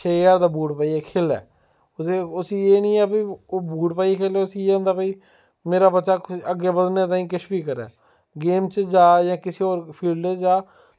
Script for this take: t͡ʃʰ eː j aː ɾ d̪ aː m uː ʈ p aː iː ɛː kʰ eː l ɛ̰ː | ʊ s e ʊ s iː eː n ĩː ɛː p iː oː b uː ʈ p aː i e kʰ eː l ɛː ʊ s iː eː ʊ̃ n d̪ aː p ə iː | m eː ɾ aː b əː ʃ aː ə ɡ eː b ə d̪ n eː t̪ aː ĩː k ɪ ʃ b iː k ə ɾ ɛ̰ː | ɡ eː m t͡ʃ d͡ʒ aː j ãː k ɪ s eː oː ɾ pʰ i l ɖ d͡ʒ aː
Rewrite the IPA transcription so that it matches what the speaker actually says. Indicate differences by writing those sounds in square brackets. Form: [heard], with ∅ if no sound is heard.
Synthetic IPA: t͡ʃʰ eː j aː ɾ d̪ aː [b] uː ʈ p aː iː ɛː kʰ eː l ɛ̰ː | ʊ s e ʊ s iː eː n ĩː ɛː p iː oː b uː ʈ p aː i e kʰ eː l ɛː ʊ s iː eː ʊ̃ n d̪ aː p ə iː | m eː ɾ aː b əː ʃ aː ə ɡ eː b ə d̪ n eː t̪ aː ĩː k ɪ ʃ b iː k ə ɾ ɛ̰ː | ɡ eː m t͡ʃ d͡ʒ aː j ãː k ɪ s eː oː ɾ pʰ [iː] l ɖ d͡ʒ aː